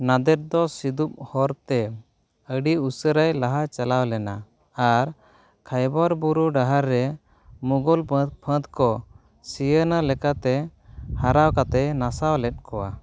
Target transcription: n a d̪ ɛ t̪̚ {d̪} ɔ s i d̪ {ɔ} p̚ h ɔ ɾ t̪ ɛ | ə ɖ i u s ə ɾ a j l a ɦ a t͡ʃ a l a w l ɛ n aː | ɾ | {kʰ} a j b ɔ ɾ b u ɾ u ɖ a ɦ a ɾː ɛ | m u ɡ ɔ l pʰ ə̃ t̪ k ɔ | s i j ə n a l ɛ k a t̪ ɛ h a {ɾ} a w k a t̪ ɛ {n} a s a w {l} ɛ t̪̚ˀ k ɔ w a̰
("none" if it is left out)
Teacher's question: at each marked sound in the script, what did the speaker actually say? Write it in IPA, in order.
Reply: d̪, u, kʰ, ɾ, n, l

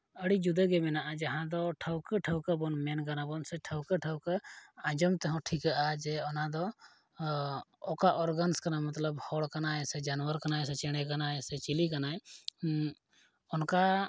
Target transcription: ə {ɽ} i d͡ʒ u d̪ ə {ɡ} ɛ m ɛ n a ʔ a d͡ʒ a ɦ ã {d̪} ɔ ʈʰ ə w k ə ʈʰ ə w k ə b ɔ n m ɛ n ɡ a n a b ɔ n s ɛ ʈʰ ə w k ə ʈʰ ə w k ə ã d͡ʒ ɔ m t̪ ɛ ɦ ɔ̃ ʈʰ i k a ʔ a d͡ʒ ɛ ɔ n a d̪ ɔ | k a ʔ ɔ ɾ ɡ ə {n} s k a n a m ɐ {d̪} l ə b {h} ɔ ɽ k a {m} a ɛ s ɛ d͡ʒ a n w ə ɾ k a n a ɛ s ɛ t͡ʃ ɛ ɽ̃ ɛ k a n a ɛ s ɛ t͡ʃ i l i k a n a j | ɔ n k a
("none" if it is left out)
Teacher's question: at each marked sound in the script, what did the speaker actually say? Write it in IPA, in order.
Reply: ɽ, ɡ, d̪, n, t̪, h, n

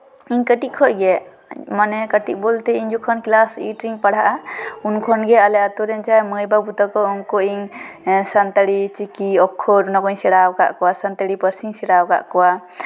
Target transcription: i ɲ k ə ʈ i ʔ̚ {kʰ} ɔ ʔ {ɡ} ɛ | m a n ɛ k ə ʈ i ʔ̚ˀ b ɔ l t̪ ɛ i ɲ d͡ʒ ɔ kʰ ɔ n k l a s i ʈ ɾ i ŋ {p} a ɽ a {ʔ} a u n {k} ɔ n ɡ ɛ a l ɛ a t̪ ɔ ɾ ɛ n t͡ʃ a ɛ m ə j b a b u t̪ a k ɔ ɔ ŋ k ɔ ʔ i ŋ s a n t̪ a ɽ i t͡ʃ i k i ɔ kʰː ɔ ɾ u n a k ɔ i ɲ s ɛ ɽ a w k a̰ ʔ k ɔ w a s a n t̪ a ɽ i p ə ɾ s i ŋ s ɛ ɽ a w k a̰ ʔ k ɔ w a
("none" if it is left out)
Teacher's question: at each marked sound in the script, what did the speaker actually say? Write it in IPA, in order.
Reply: kʰ, ɡ, p, ʔ, kʰ

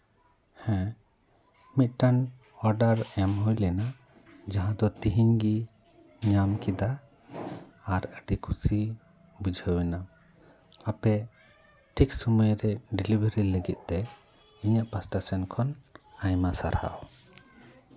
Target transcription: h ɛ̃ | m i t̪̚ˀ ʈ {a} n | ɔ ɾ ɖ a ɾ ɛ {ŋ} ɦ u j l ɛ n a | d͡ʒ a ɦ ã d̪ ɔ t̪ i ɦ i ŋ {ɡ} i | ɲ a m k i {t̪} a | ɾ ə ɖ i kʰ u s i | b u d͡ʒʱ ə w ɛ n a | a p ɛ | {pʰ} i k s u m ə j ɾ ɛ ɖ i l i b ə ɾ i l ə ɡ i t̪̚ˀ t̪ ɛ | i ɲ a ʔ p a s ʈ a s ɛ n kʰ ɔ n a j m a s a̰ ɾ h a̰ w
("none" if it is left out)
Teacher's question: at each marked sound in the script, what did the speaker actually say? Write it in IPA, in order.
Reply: a, m, ɡ, d̪, ʈʰ

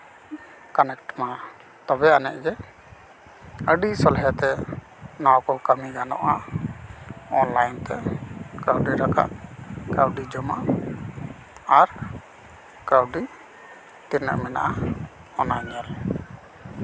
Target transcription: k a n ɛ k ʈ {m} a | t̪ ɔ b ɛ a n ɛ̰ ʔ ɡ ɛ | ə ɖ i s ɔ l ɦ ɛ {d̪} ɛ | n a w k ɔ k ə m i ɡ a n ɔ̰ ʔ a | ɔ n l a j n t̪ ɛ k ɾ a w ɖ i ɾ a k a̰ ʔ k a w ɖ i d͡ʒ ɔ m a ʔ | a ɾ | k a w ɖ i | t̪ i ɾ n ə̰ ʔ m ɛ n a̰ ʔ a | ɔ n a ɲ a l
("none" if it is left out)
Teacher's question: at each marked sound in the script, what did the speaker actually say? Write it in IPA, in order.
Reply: m, t̪

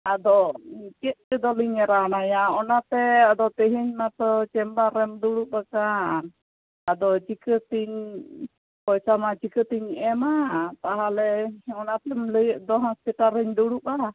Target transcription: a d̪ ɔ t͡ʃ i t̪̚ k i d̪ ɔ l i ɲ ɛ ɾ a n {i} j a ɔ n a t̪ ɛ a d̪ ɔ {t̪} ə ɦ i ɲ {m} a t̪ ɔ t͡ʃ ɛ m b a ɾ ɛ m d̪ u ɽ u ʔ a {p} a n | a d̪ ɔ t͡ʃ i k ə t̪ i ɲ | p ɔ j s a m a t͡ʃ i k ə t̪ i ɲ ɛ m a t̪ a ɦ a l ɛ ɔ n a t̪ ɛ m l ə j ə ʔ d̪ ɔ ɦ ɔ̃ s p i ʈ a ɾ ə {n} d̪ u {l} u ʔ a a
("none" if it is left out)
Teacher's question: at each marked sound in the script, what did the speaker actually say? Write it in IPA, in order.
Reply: a, t̪, m, k, ɲ, ɽ

